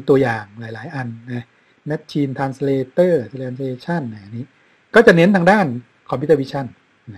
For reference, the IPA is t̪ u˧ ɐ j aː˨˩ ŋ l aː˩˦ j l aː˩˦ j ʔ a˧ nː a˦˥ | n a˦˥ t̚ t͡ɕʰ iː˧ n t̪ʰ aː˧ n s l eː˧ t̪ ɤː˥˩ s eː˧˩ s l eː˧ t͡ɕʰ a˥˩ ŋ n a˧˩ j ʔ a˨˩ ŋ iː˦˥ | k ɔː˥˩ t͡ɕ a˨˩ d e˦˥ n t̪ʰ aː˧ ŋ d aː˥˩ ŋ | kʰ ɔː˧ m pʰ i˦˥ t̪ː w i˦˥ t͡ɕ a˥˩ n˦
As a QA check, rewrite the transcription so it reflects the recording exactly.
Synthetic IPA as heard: t̪ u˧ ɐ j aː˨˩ ŋ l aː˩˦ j l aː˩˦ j ʔ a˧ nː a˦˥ | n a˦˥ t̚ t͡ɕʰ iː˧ n t̪ʰ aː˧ n s l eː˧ t̪ ɤː˥˩ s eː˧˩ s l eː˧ t͡ɕʰ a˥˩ n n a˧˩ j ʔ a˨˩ n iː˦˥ | k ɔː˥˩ t͡ɕ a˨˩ n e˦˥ n t̪ʰ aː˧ ŋ d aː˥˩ n | kʰ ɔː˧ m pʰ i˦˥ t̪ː w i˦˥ t͡ɕʰ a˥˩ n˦

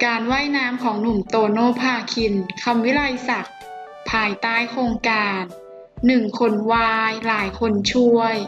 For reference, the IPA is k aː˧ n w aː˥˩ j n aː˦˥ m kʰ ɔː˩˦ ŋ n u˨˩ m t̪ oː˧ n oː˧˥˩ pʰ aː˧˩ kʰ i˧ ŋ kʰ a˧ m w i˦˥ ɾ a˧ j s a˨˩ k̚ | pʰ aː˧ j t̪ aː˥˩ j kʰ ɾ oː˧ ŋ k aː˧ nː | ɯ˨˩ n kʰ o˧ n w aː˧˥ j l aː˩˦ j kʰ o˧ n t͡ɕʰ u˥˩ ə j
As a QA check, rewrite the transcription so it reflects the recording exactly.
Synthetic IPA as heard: k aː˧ n w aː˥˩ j n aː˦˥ m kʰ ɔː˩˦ ŋ n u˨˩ m t̪ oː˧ n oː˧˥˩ pʰ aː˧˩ kʰ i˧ n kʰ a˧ m w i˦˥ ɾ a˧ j s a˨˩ k̚ | pʰ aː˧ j t̪ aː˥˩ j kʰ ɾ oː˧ ŋ k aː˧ nː | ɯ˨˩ ŋ kʰ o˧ n w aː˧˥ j l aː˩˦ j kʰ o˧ n t͡ɕʰ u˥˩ ə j

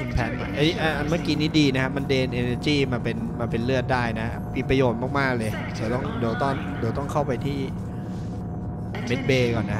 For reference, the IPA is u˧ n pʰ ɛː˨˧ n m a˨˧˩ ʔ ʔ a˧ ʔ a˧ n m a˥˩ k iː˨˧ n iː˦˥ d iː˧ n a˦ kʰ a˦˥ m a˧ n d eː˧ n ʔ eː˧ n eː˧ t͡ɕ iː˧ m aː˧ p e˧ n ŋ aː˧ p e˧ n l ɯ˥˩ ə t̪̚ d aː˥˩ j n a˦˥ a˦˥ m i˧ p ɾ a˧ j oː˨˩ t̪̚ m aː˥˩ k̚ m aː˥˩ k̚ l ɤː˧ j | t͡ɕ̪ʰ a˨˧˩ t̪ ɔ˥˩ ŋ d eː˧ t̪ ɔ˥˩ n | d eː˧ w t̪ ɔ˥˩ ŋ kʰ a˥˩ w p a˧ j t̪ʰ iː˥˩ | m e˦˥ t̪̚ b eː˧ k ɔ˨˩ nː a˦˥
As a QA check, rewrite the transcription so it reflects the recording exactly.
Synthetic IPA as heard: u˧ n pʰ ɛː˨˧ n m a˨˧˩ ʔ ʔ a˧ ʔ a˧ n m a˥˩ k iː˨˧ n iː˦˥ d iː˧ n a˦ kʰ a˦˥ m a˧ n d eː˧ n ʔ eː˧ n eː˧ t͡ɕ iː˥˩ m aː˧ p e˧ n m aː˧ p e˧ n l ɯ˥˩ ə t̪̚ d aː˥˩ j n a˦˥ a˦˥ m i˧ p ɾ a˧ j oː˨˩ t̪̚ m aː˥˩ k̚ m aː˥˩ k̚ l ɤː˧ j | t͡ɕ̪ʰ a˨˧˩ t̪ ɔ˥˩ ŋ d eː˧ t̪ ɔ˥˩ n | d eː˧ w t̪ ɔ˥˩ ŋ kʰ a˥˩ w p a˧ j t̪ʰ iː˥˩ | m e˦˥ t̪̚ b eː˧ k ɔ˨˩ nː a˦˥

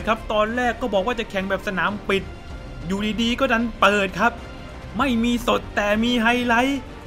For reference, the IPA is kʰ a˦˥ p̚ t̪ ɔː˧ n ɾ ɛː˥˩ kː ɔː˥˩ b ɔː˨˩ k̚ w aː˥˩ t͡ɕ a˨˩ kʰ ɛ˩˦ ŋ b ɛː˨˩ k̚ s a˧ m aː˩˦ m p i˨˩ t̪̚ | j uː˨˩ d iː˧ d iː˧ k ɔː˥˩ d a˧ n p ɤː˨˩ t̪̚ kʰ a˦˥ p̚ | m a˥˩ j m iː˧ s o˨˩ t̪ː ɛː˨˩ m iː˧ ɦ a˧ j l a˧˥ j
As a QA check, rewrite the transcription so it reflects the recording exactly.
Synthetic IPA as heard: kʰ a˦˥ p̚ t̪ ɔː˧ n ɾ ɛː˥˩ kː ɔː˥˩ b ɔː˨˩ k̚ w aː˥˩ t͡ɕ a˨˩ kʰ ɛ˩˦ ŋ b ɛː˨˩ p̚ s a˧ n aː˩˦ m p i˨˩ t̪̚ | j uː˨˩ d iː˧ d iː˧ k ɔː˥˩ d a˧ n p ɤː˨˩ t̪̚ kʰ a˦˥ p̚ | m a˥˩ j m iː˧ s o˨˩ t̪ː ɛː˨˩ m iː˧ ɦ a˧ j l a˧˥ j

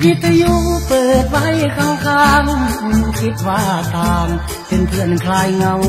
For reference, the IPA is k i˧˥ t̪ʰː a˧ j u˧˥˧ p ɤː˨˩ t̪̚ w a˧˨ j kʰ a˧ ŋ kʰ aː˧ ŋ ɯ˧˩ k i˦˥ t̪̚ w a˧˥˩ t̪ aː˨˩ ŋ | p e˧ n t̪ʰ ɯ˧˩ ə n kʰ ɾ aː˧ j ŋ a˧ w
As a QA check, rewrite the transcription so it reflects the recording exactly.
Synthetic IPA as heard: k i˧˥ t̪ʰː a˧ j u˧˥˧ p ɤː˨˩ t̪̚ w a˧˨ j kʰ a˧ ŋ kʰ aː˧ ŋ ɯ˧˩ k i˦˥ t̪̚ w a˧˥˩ t̪ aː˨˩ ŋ | p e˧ n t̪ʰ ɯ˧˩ ə n kʰ l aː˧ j ŋ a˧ w

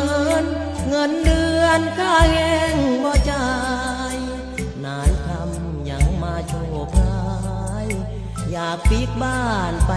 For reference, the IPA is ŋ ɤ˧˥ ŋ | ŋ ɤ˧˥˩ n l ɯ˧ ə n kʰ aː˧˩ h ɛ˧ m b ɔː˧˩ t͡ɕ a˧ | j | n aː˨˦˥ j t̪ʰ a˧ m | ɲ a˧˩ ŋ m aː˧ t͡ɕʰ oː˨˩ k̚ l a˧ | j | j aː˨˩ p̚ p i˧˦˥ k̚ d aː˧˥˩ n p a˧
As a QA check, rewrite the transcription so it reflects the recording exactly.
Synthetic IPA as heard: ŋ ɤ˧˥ n | ŋ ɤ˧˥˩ n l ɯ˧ ə n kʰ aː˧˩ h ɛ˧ ŋ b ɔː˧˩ t͡ɕ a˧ | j | n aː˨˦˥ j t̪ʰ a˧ m | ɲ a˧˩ ŋ m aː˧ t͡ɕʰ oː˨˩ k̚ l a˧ | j | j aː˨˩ k̚ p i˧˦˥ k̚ b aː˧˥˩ n p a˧

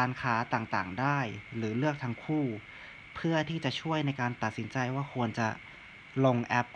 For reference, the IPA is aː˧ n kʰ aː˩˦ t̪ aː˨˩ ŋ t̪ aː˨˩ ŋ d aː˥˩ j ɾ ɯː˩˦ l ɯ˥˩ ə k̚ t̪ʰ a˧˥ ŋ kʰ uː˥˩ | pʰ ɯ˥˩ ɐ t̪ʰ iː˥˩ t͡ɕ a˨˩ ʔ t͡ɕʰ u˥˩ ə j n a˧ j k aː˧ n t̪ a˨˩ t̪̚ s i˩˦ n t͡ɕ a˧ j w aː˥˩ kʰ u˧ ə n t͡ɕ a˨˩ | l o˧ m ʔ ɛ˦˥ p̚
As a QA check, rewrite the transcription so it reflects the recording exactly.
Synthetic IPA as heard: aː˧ n kʰ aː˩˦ t̪ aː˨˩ ŋ t̪ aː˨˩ ŋ d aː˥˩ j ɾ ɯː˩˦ l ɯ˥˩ ə k̚ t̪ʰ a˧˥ ŋ kʰ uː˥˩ | pʰ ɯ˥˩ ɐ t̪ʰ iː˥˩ t͡ɕ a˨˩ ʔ t͡ɕʰ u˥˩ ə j n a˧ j k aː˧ n t̪ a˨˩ t̪̚ s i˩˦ n t͡ɕ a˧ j w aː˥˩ kʰ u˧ ə n t͡ɕ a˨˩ | l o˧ ŋ ʔ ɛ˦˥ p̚

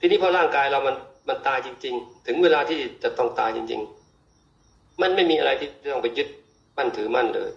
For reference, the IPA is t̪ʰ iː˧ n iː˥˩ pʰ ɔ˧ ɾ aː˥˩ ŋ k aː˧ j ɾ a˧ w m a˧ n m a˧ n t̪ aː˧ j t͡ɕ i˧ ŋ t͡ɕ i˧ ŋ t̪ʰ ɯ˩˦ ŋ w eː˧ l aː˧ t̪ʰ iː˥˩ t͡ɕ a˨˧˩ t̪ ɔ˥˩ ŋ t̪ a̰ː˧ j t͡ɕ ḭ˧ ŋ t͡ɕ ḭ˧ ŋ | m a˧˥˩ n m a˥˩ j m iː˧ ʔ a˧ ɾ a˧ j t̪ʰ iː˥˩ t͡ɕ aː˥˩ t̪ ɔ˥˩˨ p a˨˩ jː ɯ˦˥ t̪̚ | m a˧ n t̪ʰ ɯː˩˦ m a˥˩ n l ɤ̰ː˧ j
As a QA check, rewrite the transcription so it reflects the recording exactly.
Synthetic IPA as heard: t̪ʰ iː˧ n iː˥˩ pʰ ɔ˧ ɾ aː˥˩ ŋ k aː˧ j ɾ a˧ w m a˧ n m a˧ n t̪ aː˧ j t͡ɕ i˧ ŋ t͡ɕ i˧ ŋ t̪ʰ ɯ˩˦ ŋ w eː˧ l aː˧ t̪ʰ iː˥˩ t͡ɕ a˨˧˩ t̪ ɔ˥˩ ŋ t̪ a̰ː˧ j t͡ɕ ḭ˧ ŋ t͡ɕ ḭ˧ ŋ | m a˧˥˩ n m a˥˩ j m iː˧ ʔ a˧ ɾ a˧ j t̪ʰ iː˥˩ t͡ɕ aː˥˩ t̪ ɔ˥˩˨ p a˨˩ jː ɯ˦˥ t̪̚ | m a˥˩ n t̪ʰ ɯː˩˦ m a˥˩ n l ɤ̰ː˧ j

